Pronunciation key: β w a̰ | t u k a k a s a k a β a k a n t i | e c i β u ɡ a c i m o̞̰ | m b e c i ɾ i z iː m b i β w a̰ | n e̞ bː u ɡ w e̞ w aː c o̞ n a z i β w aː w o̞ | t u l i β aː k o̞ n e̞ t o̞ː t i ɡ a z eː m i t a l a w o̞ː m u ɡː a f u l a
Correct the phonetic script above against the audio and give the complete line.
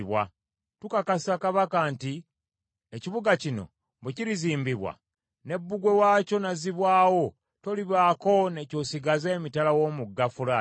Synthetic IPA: β w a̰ | t u k a k a s a k a β a k a n t i | e c i β u ɡ a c i n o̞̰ | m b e c i ɾ i z iː m b i β w a̰ | n e̞ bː u ɡ w e̞ w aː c o̞ n a z i β w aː w o̞ | t o l i β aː k o̞ n e̞ c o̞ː s i ɡ a z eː m i t a l a w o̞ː m u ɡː a f u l a